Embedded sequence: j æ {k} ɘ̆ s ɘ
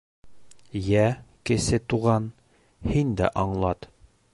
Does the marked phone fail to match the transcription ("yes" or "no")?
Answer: no